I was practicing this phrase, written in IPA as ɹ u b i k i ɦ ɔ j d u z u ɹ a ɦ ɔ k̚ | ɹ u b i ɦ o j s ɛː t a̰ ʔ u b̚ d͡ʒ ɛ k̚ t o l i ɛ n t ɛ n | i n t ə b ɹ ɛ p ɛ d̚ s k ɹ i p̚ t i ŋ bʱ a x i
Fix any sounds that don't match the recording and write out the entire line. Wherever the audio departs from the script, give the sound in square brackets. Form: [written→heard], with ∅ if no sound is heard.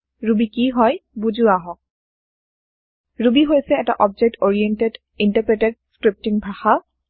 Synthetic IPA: ɹ u b i k i ɦ ɔ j [d→b] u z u [ɹ→∅] a ɦ ɔ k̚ | ɹ u b i ɦ o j s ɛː t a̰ ʔ [u→ɔ] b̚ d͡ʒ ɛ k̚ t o [l→ɹ] i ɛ n t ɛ [n→d] | i n t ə [b→p] ɹ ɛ [p→t] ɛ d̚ s k ɹ i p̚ t i ŋ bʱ a x [i→a]